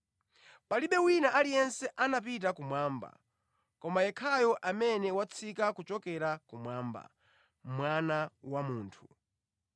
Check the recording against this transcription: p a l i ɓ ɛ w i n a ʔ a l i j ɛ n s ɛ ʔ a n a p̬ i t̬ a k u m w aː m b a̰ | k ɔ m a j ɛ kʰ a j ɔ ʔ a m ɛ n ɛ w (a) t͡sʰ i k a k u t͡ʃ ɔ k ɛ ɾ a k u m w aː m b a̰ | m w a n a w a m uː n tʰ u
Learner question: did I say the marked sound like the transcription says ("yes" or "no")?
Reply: yes